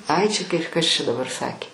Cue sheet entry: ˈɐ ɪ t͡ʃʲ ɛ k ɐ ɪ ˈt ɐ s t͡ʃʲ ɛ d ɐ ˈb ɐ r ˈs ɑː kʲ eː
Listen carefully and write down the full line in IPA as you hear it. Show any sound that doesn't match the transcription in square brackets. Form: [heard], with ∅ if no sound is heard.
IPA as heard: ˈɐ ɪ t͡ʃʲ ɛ k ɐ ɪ [ˈk] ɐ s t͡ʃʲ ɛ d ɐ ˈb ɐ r ˈs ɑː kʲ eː